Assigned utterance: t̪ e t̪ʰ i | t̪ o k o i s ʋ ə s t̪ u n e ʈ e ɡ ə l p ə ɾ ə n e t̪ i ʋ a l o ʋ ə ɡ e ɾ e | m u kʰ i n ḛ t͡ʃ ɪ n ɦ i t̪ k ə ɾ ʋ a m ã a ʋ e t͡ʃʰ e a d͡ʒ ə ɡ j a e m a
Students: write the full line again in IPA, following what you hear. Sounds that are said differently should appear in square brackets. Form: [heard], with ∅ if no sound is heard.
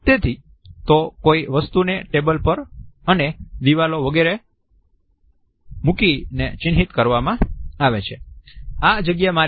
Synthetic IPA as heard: t̪ e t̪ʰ i | t̪ o k o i [∅] ʋ ə s t̪ u n e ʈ e [b] ə l p ə ɾ ə n e [d̪] i ʋ a l o ʋ ə ɡ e ɾ e | m u [k] i n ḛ t͡ʃ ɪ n ɦ i t̪ k ə ɾ ʋ a m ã a ʋ e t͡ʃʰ e a d͡ʒ ə ɡ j a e m a